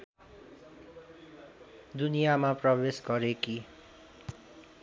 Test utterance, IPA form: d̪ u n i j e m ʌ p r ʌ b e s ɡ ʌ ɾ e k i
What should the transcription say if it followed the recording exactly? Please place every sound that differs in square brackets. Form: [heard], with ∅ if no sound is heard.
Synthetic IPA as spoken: d̪ u n i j [a] m [a] p r ʌ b e s ɡ ʌ ɾ e k i

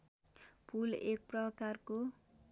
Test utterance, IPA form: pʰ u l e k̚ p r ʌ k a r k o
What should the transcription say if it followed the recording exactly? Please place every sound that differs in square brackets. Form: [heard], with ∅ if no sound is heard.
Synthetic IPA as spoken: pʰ u l e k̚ p r ʌ k a r k o

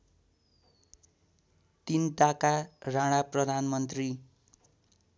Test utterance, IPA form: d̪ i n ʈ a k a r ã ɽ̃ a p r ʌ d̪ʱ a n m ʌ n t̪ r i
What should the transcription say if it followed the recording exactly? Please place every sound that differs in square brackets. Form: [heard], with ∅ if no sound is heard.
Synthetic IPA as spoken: [t̪] i n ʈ a k a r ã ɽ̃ a p r ʌ d̪ʱ a n m ʌ n t̪ r i

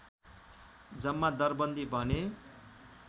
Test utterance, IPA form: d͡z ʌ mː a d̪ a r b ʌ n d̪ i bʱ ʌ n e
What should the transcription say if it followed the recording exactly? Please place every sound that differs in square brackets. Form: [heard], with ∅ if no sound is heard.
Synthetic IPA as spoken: d͡z ʌ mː a d̪ [ʌ] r b ʌ n d̪ i bʱ ʌ n e

